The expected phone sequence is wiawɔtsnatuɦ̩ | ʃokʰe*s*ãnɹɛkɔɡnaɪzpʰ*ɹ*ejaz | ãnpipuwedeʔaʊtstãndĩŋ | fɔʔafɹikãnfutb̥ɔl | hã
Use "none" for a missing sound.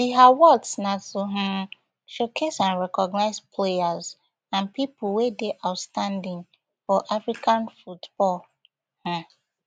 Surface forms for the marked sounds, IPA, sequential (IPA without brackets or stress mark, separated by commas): s, l